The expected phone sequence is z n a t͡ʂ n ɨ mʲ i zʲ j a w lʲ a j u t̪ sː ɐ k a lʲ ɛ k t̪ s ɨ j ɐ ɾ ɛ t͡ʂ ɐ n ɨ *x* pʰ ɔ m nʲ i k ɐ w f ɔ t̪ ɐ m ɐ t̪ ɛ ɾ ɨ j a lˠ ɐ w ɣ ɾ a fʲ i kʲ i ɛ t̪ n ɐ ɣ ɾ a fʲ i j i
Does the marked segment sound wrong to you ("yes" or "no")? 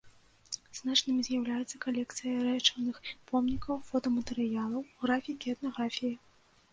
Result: no